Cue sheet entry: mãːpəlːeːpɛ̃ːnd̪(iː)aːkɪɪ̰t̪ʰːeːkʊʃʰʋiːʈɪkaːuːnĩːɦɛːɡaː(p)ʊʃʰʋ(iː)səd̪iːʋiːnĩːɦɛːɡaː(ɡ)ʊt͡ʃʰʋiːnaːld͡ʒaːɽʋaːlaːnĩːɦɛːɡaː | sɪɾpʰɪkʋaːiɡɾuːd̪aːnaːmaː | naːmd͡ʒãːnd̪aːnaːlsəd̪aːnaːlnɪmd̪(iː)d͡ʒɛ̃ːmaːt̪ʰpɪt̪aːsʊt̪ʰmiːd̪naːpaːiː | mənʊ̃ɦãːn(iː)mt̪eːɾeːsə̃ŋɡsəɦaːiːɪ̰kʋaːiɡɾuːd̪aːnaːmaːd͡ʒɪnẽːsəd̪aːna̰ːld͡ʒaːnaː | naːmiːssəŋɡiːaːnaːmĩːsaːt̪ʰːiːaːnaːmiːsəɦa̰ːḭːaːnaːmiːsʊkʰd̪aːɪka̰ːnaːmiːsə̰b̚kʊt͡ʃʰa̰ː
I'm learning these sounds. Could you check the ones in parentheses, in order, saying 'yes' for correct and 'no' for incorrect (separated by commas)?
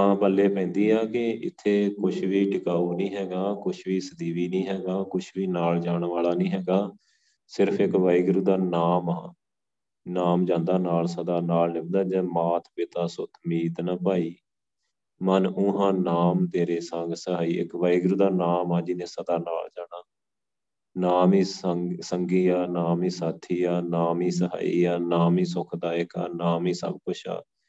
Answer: yes, no, yes, no, no, no